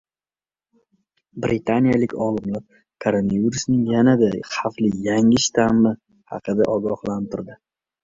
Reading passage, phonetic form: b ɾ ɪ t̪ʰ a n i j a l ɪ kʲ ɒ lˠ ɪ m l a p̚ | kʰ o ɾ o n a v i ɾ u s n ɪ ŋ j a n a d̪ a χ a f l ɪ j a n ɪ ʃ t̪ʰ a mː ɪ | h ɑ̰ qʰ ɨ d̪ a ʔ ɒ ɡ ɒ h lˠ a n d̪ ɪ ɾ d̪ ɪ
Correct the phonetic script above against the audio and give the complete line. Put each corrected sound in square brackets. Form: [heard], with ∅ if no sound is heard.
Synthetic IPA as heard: b ɾ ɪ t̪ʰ a n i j a l ɪ kʲ ɒ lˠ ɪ m l a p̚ | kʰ o ɾ o n a v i ɾ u s n ɪ ŋ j a n a d̪ a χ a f l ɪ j a [ŋ] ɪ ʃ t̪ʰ a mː ɪ | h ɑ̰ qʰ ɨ d̪ a ʔ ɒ ɡ ɒ h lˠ a n [t̪] ɪ ɾ d̪ ɪ